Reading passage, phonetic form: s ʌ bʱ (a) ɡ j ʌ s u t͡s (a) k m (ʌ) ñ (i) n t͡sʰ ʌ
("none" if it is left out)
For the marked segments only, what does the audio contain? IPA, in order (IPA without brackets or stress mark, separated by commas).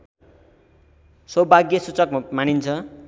a, ʌ, a, i